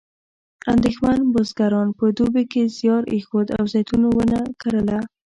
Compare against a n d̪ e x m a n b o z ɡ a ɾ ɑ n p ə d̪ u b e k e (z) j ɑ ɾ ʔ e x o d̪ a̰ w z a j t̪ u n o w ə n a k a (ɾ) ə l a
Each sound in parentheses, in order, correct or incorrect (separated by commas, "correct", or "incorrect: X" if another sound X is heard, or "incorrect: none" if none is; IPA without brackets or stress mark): correct, correct